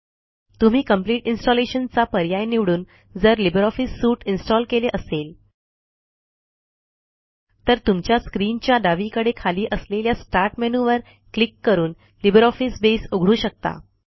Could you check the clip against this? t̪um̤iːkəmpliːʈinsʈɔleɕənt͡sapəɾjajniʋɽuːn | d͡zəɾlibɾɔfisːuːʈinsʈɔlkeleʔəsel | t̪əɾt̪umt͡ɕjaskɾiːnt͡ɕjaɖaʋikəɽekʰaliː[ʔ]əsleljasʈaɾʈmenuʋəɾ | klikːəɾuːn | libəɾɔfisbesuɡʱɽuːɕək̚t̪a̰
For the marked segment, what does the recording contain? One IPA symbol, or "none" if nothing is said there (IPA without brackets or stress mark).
ʔ